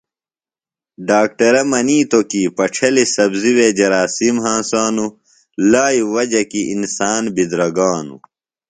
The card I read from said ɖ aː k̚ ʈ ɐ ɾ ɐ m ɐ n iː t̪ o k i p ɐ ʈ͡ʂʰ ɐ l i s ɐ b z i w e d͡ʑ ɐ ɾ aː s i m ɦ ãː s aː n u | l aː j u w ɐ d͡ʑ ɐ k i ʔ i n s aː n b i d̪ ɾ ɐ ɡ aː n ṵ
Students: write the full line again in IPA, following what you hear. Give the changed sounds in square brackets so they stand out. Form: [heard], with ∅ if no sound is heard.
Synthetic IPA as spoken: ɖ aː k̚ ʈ ɐ ɾ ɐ m ɐ n iː t̪ o k i p ɐ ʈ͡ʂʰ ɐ l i s ɐ b z i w e d͡ʑ ɐ ɾ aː s i m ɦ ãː s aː n u | l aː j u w ɐ d͡ʑ ɐ k i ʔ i n s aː n b i d̪ ɾ ɐ ɡ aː n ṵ